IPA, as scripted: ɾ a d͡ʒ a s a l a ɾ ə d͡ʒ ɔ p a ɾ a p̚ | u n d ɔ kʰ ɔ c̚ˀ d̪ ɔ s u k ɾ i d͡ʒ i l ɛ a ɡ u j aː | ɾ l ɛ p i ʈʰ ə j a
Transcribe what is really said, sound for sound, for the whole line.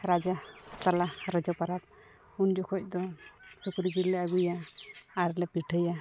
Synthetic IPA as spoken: ɾ a d͡ʒ a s a l a ɾ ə d͡ʒ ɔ p a ɾ a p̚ | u n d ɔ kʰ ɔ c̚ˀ d̪ ɔ s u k ɾ i d͡ʒ i l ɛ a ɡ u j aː | ɾ l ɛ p i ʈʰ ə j a